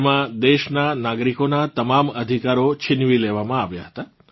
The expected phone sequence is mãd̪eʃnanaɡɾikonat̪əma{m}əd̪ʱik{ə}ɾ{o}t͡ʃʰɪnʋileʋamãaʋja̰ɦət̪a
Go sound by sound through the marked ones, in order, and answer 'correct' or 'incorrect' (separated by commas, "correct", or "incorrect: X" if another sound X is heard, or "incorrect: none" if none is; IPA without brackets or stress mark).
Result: correct, incorrect: a, correct